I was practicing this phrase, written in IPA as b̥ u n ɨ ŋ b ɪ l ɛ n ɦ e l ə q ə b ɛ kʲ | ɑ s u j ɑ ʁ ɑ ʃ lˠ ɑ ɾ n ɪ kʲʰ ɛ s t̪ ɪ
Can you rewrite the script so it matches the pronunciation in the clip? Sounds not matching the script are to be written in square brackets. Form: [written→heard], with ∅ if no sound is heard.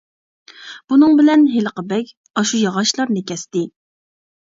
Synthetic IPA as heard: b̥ u n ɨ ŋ b ɪ l ɛ n ɦ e l ə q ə b ɛ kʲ | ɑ [s→ʃ] u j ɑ ʁ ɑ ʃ lˠ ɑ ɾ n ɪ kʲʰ ɛ s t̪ ɪ

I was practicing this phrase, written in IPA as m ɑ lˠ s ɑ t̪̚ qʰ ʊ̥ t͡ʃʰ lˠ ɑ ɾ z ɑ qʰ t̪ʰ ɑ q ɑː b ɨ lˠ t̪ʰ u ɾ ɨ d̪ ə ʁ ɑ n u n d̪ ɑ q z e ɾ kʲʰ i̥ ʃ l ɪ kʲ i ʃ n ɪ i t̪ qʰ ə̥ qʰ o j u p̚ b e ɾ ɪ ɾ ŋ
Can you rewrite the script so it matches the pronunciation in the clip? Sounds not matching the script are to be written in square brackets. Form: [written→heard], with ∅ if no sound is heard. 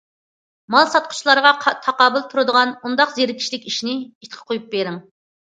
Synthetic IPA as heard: m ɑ lˠ s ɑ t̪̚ qʰ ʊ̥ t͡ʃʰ lˠ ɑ ɾ [z→ʁ] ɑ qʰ t̪ʰ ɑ q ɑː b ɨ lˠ t̪ʰ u ɾ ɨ d̪ ə ʁ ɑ n u n d̪ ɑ q z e ɾ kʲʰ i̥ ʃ l ɪ kʲ i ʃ n ɪ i t̪ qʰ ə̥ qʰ o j u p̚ b e ɾ ɪ [ɾ→∅] ŋ

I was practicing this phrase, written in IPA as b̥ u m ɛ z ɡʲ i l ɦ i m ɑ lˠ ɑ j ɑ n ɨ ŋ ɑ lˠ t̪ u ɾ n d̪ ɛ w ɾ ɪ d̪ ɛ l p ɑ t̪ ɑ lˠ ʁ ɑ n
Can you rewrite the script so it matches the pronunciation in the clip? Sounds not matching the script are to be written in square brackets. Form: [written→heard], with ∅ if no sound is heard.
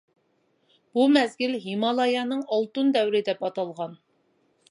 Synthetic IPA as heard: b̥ u m ɛ z ɡʲ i l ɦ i m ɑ lˠ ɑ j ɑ n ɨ ŋ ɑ lˠ t̪ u [ɾ→∅] n d̪ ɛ w ɾ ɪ d̪ ɛ [l→∅] p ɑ t̪ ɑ lˠ ʁ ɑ n

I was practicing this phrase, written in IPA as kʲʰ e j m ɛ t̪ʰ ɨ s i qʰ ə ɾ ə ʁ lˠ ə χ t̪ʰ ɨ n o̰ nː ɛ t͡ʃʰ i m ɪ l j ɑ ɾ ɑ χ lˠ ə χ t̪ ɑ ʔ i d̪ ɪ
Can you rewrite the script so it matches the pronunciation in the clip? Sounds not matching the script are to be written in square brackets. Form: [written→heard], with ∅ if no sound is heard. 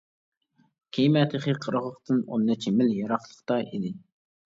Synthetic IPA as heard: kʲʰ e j m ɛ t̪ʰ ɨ [s→χ] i qʰ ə ɾ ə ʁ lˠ ə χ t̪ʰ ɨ n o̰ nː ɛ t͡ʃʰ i m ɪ l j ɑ ɾ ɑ χ lˠ ə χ t̪ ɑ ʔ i d̪ ɪ

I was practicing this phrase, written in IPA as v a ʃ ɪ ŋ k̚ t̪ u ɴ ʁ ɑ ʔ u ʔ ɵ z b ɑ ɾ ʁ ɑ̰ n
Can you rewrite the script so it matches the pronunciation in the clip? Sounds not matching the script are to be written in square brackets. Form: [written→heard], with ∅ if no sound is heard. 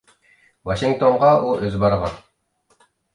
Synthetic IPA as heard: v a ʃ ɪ ŋ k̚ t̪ [u→o] ɴ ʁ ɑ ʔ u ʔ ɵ z b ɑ ɾ ʁ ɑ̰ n

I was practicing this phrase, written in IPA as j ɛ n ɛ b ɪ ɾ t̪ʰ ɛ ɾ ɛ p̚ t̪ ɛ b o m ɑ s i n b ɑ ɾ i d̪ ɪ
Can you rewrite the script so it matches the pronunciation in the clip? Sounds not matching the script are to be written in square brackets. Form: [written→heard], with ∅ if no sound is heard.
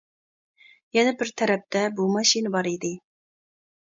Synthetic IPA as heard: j ɛ n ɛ b ɪ ɾ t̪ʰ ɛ ɾ ɛ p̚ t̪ ɛ b [o→u] m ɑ [s→ʃ] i n b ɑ ɾ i d̪ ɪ

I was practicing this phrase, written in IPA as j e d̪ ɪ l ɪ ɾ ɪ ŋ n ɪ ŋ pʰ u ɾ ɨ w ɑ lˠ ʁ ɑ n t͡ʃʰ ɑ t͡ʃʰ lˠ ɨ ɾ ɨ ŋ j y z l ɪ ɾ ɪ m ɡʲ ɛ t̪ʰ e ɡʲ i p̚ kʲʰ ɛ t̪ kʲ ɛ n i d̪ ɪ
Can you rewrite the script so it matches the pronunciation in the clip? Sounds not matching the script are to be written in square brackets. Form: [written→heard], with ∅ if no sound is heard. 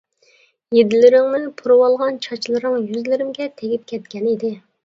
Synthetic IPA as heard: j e d̪ ɪ l ɪ ɾ ɪ ŋ n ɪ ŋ pʰ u ɾ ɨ w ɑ lˠ ʁ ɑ n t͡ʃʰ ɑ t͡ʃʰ lˠ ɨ ɾ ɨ ŋ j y z l ɪ ɾ ɪ m ɡʲ ɛ t̪ʰ e ɡʲ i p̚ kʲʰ ɛ t̪ kʲ ɛ n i d̪ ɪ

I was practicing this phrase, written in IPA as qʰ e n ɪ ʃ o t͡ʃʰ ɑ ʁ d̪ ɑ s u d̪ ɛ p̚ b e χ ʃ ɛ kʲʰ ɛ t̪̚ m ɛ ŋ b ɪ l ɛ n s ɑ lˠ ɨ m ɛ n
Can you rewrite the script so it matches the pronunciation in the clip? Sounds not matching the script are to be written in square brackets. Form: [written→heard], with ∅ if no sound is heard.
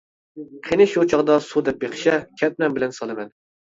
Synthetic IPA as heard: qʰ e n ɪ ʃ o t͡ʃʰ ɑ ʁ d̪ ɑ s u d̪ ɛ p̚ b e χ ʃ ɛ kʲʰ ɛ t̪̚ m ɛ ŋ b ɪ l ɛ n s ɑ lˠ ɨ m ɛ n

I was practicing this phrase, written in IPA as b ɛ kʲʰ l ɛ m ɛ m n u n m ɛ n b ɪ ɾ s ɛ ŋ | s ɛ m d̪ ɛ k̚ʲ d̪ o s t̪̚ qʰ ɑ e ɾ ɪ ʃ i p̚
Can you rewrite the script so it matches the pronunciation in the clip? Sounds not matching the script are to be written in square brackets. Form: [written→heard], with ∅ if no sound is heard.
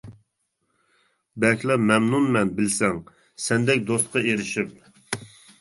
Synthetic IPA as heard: b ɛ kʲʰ l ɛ m ɛ m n u n m ɛ n b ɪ [ɾ→l] s ɛ ŋ | s ɛ [m→n] d̪ ɛ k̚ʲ d̪ o s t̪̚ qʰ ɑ e ɾ ɪ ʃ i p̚

